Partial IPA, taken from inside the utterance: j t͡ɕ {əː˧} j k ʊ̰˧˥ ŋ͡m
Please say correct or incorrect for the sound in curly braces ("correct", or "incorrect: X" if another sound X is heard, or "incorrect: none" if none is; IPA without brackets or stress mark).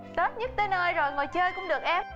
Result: correct